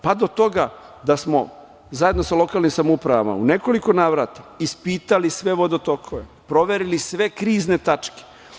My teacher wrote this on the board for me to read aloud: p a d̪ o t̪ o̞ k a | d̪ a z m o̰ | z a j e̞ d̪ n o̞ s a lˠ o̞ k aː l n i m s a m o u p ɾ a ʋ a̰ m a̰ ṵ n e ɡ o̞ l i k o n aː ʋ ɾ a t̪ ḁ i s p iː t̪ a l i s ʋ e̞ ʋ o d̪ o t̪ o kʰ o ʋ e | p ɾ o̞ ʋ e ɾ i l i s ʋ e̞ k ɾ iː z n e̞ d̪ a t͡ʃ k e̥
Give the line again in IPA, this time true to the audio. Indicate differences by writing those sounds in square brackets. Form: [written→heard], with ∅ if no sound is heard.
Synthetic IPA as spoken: p a d̪ o t̪ o̞ [k→ɡ] a | d̪ a [z→s] m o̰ | z a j e̞ d̪ n o̞ s a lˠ o̞ k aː l n i m s a m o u p ɾ a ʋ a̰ m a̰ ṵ n e [ɡ→k] o̞ l i k o n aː ʋ ɾ a t̪ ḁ i s p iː t̪ a l i s ʋ e̞ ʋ o d̪ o t̪ o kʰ o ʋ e | p ɾ o̞ ʋ e ɾ i l i s ʋ e̞ k ɾ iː z n e̞ [d̪→t̪] a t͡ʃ k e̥

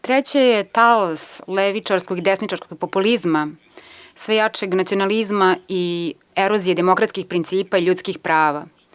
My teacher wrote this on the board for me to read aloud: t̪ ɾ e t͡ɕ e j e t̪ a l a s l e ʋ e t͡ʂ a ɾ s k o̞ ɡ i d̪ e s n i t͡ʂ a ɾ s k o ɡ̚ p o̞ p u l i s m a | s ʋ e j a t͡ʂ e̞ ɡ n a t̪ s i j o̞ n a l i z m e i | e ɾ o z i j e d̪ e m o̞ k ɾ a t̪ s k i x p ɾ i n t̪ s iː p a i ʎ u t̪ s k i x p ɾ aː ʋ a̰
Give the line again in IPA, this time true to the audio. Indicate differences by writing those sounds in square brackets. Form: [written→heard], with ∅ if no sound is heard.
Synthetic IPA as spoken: t̪ ɾ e t͡ɕ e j e t̪ a l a s l e ʋ [e→i] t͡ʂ a ɾ s k o̞ ɡ i d̪ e s n i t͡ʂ a ɾ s k o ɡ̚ p o̞ p u l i [s→z] m a | s ʋ e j a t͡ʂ e̞ ɡ n a t̪ s i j o̞ n a l i z m [e→a] i | e ɾ o z i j e d̪ e m o̞ k ɾ a t̪ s k i x p ɾ i n t̪ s iː p a i ʎ u t̪ s k i x p ɾ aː ʋ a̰

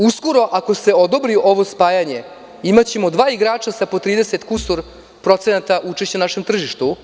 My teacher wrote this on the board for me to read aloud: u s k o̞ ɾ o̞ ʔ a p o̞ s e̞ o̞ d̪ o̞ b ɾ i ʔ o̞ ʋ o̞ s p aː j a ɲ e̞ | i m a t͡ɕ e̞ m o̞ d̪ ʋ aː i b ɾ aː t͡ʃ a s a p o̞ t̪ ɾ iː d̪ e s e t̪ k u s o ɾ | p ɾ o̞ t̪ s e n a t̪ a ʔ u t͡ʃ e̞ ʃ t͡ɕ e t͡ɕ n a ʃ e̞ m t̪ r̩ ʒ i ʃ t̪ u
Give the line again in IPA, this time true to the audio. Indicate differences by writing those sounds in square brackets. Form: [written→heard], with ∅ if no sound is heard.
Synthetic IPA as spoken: u s k o̞ ɾ o̞ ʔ a [p→k] o̞ s e̞ o̞ d̪ o̞ b ɾ i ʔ o̞ ʋ o̞ s p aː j a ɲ e̞ | i m a t͡ɕ e̞ m o̞ d̪ ʋ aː i [b→ɡ] ɾ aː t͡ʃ a s a p o̞ t̪ ɾ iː d̪ e s e t̪ k u s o ɾ | p ɾ o̞ t̪ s e n a t̪ a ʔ u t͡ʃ e̞ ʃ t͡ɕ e [t͡ɕ→∅] n a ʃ e̞ m t̪ r̩ ʒ i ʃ t̪ u

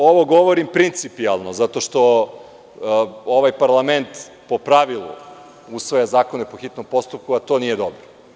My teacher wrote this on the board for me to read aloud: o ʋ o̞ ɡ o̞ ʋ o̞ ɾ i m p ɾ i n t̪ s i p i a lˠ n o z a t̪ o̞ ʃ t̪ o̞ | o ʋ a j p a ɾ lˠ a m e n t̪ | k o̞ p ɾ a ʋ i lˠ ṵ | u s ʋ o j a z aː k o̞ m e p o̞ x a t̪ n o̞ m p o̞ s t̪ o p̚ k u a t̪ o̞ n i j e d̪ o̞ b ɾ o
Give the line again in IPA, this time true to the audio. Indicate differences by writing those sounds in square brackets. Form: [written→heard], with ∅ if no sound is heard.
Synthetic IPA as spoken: o ʋ o̞ ɡ o̞ ʋ o̞ ɾ i m p ɾ i n t̪ s i p i a lˠ n o z a t̪ o̞ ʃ t̪ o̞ | o ʋ a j p a ɾ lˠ a m e n t̪ | [k→p] o̞ p ɾ a ʋ i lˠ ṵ | u s ʋ o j a z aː k o̞ [m→n] e p o̞ x [a→i] t̪ n o̞ m p o̞ s t̪ [o→u] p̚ k u a t̪ o̞ n i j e d̪ o̞ b ɾ o

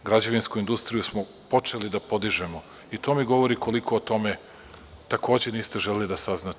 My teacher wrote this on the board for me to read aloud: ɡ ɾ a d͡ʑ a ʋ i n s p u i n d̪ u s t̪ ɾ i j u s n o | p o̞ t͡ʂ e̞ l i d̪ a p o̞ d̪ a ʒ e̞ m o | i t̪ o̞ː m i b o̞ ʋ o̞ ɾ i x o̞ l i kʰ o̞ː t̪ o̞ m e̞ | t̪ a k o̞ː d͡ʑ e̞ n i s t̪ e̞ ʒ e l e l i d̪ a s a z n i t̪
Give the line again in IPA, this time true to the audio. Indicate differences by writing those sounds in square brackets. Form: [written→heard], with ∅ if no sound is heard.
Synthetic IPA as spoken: ɡ ɾ a d͡ʑ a ʋ i n s [p→k] u i n d̪ u s t̪ ɾ i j u s [n→m] o | p o̞ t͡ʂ e̞ l i d̪ a p o̞ d̪ [a→i] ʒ e̞ m o | i t̪ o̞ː m i [b→ɡ] o̞ ʋ o̞ ɾ i [x→k] o̞ l i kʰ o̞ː t̪ o̞ m e̞ | t̪ a k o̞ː d͡ʑ e̞ n [i→iː] s t̪ e̞ ʒ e l e l i d̪ a s a z n [i→a] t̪

